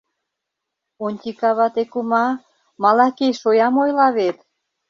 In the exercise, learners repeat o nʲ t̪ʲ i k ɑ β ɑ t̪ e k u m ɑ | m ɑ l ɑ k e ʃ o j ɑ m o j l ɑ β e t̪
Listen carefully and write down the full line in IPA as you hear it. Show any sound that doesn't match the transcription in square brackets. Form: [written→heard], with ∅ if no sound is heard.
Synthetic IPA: o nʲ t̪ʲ i k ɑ β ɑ t̪ e k u m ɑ | m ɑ l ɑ k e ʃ o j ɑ m o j l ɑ β e t̪